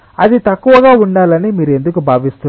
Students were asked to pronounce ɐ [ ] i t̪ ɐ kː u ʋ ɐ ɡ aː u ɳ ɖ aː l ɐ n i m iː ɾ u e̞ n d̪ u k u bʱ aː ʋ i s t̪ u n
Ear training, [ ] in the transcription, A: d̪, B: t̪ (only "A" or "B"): A